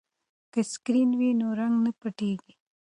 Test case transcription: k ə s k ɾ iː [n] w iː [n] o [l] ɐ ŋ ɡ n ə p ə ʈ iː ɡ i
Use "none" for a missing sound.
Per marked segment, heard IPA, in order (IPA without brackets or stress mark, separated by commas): n, n, ɾ